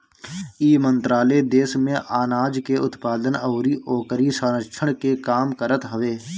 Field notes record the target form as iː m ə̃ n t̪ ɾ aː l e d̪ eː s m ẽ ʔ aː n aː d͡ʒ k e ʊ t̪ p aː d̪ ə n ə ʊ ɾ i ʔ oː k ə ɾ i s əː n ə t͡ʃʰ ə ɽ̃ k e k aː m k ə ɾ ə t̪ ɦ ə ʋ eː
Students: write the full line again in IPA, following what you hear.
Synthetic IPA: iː m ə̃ n t̪ ɾ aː l e d̪ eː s m ẽ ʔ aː n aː d͡ʒ k e ʊ t̪ p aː d̪ ə n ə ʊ ɾ i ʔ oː k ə ɾ i s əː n ə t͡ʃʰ ə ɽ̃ k e k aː m k ə ɾ ə t̪ ɦ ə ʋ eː